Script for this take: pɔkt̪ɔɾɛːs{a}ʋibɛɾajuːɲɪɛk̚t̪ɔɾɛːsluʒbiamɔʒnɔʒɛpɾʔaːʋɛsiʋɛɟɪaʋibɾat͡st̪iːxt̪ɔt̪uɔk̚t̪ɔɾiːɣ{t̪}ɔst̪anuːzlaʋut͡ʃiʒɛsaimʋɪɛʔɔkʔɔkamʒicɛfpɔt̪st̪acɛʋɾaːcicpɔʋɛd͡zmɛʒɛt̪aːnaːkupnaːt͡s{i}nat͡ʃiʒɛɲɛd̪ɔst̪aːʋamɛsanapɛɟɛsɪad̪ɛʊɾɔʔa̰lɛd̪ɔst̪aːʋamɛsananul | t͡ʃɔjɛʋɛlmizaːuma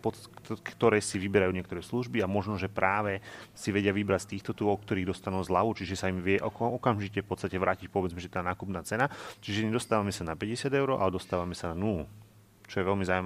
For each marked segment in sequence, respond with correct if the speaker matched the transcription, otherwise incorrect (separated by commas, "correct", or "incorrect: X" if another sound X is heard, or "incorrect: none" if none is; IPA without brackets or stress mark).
incorrect: i, incorrect: d̪, incorrect: ɛ